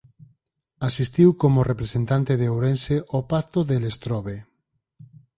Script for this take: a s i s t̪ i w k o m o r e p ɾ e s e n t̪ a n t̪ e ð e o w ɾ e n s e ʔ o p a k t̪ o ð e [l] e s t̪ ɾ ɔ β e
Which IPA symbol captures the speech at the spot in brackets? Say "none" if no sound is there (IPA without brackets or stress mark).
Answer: l